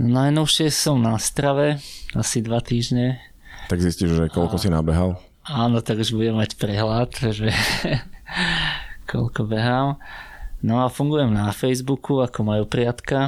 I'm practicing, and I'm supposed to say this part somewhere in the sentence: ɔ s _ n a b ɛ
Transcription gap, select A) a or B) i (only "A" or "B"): B